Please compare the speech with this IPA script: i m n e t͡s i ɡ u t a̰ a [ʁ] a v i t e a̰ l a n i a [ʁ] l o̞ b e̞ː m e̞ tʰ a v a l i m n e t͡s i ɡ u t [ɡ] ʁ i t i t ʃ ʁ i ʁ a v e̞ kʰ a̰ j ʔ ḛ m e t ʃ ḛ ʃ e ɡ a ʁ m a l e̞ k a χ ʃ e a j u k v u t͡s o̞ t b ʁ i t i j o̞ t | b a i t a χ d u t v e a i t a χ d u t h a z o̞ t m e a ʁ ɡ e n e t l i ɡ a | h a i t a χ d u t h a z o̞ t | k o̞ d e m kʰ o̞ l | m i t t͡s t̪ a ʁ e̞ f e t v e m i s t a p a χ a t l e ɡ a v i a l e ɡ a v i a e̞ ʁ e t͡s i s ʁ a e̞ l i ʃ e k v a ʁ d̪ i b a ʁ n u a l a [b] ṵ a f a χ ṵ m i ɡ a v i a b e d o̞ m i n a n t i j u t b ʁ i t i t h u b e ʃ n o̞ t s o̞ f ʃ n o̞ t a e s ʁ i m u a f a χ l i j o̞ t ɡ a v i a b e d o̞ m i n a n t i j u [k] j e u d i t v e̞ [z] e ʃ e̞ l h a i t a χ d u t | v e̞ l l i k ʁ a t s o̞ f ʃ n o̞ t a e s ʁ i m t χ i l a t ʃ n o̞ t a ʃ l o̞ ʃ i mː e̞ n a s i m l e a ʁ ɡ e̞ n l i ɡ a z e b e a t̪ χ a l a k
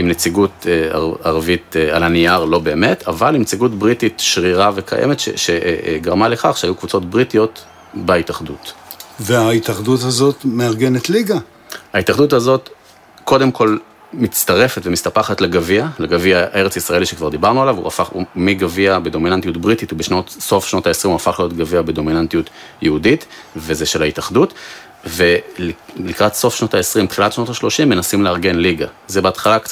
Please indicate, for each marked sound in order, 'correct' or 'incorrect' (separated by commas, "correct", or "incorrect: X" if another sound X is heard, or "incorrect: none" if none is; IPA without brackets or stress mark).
correct, correct, incorrect: b, incorrect: v, incorrect: t, correct